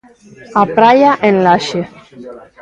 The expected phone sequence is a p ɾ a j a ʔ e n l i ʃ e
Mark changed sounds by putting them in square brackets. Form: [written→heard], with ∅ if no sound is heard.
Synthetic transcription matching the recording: a p ɾ a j a ʔ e n l [i→a] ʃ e